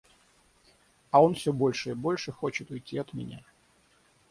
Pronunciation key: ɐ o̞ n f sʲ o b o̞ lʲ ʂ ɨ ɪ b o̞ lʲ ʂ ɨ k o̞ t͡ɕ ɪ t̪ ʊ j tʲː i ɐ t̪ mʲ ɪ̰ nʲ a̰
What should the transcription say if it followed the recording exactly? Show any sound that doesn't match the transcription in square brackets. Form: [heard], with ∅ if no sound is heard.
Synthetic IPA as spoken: ɐ o̞ n f sʲ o b o̞ lʲ ʂ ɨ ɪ b o̞ lʲ ʂ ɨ [x] o̞ t͡ɕ ɪ t̪ ʊ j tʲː i ɐ t̪ mʲ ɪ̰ nʲ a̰